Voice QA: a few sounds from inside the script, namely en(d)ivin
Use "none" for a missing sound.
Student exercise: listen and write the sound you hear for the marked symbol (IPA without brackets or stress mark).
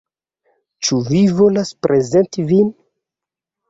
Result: t